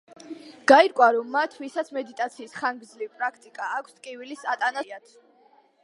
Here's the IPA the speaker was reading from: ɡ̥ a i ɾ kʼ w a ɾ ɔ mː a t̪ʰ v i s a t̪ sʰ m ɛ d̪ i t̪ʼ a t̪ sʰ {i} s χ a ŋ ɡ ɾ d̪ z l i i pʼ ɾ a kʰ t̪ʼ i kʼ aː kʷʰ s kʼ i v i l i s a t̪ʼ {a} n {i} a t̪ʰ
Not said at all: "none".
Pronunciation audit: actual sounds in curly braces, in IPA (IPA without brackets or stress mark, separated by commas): iː, a, a